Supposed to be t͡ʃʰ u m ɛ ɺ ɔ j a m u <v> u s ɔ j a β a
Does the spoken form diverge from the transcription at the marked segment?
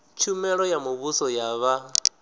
yes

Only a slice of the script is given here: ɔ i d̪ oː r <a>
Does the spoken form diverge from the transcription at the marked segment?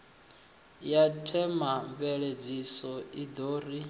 yes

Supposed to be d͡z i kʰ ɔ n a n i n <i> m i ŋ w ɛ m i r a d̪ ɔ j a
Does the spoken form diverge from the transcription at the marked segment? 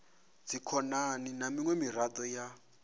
yes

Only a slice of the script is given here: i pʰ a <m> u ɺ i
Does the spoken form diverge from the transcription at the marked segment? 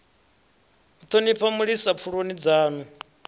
no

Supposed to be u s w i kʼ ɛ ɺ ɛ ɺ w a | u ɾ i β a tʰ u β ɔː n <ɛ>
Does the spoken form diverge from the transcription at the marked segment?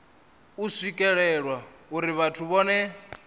no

